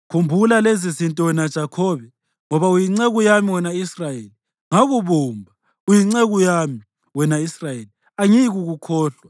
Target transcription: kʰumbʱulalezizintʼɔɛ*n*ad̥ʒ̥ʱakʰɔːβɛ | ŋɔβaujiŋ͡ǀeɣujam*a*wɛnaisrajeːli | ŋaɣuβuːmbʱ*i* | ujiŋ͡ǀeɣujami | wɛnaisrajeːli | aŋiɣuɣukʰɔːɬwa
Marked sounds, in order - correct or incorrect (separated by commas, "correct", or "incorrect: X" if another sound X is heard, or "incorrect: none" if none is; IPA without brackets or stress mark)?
correct, incorrect: i, incorrect: a